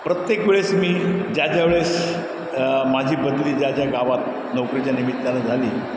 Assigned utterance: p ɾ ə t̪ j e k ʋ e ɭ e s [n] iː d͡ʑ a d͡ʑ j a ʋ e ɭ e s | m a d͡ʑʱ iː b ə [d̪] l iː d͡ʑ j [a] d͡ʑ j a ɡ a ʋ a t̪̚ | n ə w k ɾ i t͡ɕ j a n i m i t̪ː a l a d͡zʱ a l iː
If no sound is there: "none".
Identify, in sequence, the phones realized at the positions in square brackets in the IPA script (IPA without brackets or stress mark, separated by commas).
m, d̪, a